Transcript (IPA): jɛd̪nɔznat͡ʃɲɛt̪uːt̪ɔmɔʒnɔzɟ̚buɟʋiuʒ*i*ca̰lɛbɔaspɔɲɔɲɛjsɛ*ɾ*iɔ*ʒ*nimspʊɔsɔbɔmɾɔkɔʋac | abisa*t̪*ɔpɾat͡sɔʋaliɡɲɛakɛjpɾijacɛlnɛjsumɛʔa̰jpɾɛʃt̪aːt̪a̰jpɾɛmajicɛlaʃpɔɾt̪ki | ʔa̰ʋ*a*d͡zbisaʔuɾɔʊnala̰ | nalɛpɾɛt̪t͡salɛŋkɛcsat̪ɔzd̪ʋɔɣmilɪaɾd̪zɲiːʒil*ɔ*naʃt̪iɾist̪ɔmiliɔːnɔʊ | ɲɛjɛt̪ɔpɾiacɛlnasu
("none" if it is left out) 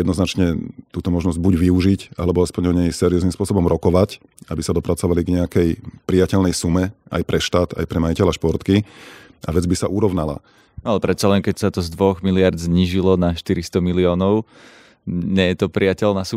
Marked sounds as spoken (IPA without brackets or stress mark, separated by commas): i, ɾ, z, d̪, ɛ, ɔ